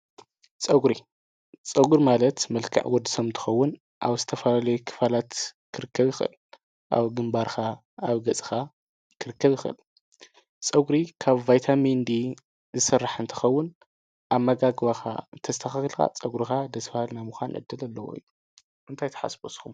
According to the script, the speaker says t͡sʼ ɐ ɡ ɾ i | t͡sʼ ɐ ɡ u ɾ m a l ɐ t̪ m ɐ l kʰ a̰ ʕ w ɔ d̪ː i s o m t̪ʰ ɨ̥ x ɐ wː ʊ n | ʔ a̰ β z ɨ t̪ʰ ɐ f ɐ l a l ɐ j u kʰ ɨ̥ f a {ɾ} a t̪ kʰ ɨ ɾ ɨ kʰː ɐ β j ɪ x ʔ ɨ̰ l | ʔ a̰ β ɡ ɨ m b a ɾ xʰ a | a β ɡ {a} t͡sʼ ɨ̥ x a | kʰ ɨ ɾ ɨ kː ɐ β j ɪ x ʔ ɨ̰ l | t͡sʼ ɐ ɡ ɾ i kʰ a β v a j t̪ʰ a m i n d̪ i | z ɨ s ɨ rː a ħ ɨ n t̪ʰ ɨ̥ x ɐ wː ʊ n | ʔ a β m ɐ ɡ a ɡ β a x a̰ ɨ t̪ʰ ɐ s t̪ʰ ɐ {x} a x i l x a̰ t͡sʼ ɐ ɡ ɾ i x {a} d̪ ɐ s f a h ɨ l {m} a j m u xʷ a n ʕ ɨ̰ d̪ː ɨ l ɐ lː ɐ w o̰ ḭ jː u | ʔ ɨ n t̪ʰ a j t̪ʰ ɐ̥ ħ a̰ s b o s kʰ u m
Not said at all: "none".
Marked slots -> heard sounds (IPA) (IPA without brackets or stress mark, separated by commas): l, ɐ, x, a, n